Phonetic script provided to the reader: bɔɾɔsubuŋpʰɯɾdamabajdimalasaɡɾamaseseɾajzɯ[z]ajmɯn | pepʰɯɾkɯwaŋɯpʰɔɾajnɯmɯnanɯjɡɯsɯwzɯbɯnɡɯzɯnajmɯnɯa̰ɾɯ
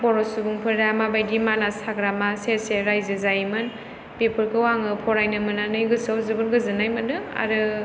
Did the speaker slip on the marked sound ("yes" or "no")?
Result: no